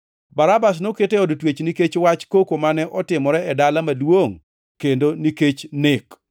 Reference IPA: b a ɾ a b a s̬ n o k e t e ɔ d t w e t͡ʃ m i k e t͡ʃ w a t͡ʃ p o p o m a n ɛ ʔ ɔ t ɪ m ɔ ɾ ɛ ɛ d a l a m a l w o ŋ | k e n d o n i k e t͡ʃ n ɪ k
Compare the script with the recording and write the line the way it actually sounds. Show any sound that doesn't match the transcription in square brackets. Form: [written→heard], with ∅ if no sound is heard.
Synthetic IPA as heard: b a ɾ a b a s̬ n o k e t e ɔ d t w e t͡ʃ [m→n] i k e t͡ʃ w a t͡ʃ [p→k] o [p→k] o m a n ɛ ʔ ɔ t ɪ m ɔ ɾ ɛ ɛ d a l a m a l w o ŋ | k e n d o n i k e t͡ʃ n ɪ k

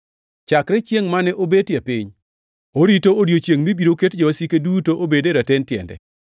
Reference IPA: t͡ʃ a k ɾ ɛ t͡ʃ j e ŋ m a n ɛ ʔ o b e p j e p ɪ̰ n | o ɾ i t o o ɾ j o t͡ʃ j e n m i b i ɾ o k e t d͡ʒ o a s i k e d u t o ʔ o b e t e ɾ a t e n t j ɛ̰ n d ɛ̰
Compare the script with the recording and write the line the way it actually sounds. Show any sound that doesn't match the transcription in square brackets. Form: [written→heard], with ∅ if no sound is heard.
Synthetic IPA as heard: t͡ʃ a k ɾ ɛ t͡ʃ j e ŋ m a n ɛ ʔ o b e [p→t] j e p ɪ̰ [n→ɲ] | o ɾ i t o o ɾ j o t͡ʃ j e [n→ŋ] m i b i ɾ o k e t d͡ʒ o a s i k e d u t o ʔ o b e [t→d] e ɾ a t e n t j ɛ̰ n d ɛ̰

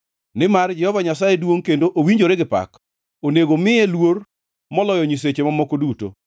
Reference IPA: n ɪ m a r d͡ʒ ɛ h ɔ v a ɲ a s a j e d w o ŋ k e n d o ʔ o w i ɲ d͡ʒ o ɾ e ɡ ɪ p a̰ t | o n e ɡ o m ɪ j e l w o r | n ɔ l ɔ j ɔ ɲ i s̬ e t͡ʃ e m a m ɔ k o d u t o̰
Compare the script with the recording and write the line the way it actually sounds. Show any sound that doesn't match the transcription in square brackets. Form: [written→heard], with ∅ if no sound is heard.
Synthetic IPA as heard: n ɪ m a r d͡ʒ ɛ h ɔ v a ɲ a s a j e d w o ŋ k e n d o ʔ o w i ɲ d͡ʒ o ɾ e ɡ ɪ p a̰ [t→k] | o n e ɡ o m ɪ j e l w o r | [n→m] ɔ l ɔ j ɔ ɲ i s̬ e t͡ʃ e m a m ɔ k o d u t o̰

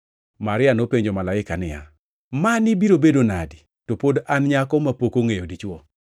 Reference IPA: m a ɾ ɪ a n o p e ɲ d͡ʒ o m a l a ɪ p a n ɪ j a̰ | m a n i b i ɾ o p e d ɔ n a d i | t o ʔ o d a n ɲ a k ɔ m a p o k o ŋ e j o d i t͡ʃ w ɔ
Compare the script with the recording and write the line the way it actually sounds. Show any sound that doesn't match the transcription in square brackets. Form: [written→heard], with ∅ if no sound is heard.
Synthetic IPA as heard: m a ɾ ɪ a n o p e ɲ d͡ʒ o m a l a ɪ [p→k] a n ɪ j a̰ | m a n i b i ɾ o [p→b] e d [ɔ→o] n a d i | t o [ʔ→p] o d a n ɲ a k ɔ m a p o k o ŋ e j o d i t͡ʃ w ɔ

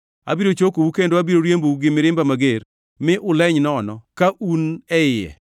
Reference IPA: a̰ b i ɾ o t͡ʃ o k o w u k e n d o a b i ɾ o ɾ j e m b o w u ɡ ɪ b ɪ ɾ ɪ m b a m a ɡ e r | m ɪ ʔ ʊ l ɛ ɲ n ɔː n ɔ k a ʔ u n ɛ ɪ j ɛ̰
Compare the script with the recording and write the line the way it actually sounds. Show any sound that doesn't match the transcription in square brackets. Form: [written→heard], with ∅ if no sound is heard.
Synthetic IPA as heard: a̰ b i ɾ o t͡ʃ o k o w u k e n d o a b i ɾ o ɾ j e m b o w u ɡ ɪ [b→m] ɪ ɾ ɪ m b a m a ɡ e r | m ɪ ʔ ʊ l ɛ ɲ n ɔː n ɔ k a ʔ u n ɛ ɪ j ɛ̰

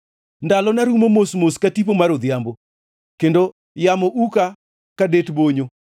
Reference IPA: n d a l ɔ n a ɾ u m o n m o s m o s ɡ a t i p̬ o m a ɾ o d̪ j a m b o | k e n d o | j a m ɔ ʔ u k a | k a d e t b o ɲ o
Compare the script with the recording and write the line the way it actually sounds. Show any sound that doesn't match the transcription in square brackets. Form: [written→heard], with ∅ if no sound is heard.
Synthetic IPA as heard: n d a l ɔ n a ɾ u m o [n→∅] m o s m o s [ɡ→k] a t i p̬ o m a ɾ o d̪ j a m b o | k e n d o | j a m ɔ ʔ u k a | k a d e t b o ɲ o

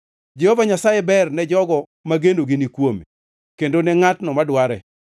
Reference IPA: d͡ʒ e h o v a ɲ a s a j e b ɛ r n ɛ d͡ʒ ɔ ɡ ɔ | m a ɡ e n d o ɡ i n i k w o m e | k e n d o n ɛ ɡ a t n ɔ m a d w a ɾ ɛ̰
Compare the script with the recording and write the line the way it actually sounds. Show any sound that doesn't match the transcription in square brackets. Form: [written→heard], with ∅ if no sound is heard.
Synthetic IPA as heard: d͡ʒ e h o v a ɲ a s a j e b ɛ r n ɛ d͡ʒ ɔ ɡ ɔ | m a ɡ e n d o ɡ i n i k w o m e | k e n d o n ɛ [ɡ→ŋ] a t n ɔ m a d w a ɾ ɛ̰

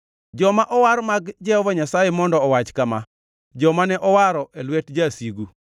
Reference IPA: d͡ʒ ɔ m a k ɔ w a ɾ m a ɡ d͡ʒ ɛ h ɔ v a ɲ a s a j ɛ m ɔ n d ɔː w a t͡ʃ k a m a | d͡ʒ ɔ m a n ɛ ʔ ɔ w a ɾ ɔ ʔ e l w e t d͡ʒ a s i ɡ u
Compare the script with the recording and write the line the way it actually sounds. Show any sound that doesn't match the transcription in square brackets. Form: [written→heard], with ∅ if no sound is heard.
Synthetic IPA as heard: d͡ʒ ɔ m a [k→ʔ] ɔ w a ɾ m a ɡ d͡ʒ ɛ h ɔ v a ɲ a s a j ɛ m ɔ n d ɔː w a t͡ʃ k a m a | d͡ʒ ɔ m a n ɛ ʔ ɔ w a ɾ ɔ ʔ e l w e t d͡ʒ a s i ɡ u

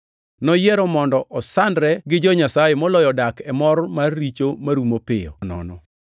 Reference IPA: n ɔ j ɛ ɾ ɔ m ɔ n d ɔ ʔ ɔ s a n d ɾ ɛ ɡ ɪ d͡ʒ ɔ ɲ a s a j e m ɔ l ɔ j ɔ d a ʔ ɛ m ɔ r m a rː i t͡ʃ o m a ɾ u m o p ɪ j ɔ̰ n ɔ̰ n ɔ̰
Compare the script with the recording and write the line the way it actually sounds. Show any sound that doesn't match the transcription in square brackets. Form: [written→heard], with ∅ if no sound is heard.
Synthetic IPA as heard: n ɔ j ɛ ɾ ɔ m ɔ n d ɔ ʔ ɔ s a n d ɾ ɛ ɡ ɪ d͡ʒ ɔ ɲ a s a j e m ɔ l ɔ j ɔ d a [ʔ→k] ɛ m ɔ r m a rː i t͡ʃ o m a ɾ u m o p ɪ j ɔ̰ n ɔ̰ n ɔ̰

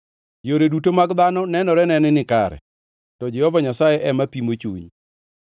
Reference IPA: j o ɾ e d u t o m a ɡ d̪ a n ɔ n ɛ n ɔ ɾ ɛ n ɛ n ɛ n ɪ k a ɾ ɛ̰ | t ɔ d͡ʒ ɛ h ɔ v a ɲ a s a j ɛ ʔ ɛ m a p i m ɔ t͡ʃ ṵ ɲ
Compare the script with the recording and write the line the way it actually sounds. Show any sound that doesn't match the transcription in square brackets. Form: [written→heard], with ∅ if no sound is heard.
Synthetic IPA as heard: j o ɾ e d u t o m a ɡ d̪ a n ɔ n ɛ n ɔ ɾ ɛ n ɛ n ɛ n ɪ k a ɾ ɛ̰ | t ɔ d͡ʒ ɛ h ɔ v a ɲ a s a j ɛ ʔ ɛ m a p i m [ɔ→o] t͡ʃ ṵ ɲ

